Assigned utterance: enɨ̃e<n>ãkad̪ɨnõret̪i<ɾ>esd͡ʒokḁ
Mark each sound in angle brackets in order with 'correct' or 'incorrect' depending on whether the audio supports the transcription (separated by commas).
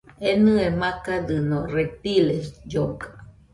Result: incorrect, incorrect